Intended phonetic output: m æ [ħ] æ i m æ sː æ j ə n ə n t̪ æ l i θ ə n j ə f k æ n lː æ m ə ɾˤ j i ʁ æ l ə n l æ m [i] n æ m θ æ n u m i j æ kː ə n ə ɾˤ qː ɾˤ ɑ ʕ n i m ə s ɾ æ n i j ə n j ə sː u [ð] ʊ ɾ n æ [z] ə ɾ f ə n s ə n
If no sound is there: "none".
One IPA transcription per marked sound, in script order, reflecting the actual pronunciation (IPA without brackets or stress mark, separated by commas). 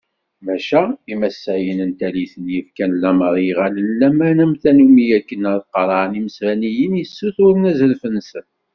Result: ʃ, æ, θ, z